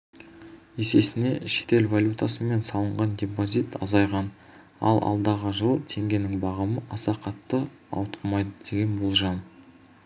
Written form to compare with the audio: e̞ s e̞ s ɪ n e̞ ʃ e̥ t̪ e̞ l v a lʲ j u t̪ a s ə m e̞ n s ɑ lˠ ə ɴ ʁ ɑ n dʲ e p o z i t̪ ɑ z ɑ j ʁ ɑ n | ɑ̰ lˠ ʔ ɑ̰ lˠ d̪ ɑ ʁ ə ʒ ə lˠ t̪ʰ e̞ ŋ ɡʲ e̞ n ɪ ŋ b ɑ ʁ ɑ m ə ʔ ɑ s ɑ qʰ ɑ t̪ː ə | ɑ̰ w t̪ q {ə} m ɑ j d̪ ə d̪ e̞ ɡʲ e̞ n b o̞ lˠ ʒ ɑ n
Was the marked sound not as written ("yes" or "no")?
no